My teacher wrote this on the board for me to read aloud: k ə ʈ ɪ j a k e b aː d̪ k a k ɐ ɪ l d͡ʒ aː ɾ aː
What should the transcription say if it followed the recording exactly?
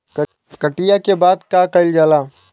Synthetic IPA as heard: k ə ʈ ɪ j a k e b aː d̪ k a k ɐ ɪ l d͡ʒ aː l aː